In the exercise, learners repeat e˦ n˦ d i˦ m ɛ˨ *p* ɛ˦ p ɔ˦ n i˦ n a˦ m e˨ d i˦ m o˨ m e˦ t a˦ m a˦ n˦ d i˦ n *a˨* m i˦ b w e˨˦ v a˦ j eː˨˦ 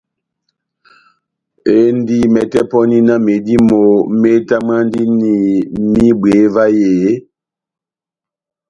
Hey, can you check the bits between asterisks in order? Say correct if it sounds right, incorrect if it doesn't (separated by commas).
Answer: incorrect, incorrect